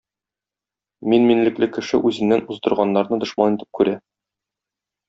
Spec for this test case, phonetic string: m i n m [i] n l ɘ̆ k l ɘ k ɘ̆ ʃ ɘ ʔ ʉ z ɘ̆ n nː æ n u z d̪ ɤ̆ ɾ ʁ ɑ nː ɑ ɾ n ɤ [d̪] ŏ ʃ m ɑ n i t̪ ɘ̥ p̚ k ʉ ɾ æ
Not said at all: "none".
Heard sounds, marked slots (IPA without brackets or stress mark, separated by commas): i, d̪